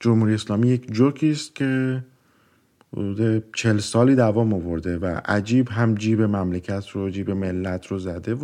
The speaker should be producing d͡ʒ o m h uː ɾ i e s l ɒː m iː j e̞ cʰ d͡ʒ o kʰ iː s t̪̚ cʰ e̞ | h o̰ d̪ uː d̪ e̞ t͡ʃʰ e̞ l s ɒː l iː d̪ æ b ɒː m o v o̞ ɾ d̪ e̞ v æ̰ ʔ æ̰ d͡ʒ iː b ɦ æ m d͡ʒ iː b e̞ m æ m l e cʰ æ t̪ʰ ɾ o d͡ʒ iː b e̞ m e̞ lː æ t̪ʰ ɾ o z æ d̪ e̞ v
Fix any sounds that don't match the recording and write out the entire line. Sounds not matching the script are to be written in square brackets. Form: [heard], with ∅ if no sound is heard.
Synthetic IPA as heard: d͡ʒ o m h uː ɾ i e s l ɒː m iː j e̞ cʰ d͡ʒ o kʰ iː s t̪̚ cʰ e̞ | h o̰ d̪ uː d̪ e̞ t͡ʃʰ e̞ l s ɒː l iː d̪ æ [v] ɒː m o v o̞ ɾ d̪ e̞ v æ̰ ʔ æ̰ d͡ʒ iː b ɦ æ m d͡ʒ iː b e̞ m æ m l e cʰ æ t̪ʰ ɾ o d͡ʒ iː b e̞ m e̞ lː æ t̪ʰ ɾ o z æ d̪ e̞ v